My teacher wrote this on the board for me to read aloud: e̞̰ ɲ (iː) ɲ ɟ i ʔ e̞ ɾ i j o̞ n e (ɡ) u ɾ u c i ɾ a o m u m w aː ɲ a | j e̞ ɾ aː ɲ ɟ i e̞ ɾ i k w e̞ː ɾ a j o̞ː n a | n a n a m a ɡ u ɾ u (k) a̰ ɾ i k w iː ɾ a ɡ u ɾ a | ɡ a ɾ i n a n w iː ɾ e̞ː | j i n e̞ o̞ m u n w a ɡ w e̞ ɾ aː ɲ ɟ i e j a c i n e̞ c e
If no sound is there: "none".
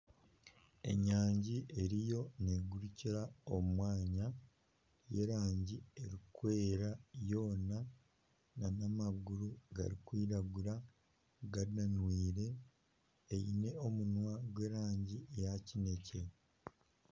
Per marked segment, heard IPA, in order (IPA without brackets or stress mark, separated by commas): aː, ɡ, ɡ